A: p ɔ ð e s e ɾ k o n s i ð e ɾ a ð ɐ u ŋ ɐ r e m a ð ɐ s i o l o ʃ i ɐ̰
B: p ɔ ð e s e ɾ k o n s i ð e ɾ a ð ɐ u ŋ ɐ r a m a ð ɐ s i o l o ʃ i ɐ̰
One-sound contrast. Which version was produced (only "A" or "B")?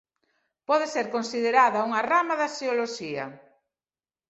B